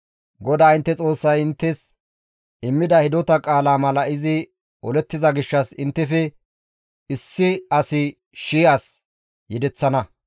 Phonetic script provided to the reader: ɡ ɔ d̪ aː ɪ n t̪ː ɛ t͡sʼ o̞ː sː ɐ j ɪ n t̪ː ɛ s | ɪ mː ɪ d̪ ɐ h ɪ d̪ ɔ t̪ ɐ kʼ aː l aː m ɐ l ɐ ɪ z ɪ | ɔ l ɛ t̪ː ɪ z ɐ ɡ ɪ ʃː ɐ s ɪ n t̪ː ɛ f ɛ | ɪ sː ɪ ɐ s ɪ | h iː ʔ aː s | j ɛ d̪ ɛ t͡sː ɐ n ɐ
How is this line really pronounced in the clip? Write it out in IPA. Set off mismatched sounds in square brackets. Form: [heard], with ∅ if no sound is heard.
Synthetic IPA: ɡ ɔ d̪ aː ɪ n t̪ː ɛ t͡sʼ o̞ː sː ɐ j ɪ n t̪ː ɛ s | ɪ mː ɪ d̪ ɐ h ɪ d̪ ɔ t̪ ɐ kʼ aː l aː m ɐ l ɐ ɪ z ɪ | ɔ l ɛ t̪ː ɪ z ɐ ɡ ɪ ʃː ɐ s ɪ n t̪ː ɛ f ɛ | ɪ sː ɪ ɐ s ɪ | [ʃ] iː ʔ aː s | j ɛ d̪ ɛ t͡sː ɐ n ɐ